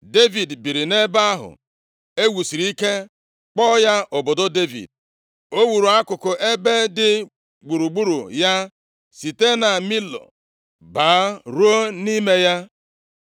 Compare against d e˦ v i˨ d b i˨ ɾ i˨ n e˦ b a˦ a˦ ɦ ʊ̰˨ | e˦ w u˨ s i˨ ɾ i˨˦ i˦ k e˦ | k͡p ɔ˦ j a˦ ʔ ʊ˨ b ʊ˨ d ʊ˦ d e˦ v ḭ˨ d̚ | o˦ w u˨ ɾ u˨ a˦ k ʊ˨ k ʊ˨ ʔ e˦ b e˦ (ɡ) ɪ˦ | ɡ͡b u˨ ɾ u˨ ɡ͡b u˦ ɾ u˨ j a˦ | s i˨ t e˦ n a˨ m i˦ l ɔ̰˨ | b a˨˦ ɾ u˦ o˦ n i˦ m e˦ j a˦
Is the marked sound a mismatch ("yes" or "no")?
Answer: yes